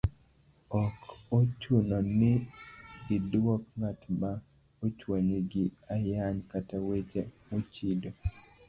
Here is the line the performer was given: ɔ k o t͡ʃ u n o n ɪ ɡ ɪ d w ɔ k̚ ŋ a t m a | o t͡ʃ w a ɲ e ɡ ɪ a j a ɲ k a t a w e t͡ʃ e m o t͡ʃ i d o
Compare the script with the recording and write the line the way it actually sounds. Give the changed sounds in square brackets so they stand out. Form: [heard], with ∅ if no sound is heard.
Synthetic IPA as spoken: ɔ k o t͡ʃ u n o n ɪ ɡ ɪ d w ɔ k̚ ŋ a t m a | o t͡ʃ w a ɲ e ɡ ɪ a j a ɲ k a t a w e t͡ʃ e m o t͡ʃ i d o